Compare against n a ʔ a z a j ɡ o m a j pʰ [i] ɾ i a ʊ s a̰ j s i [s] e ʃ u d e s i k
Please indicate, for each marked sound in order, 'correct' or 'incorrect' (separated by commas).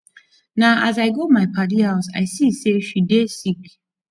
incorrect, correct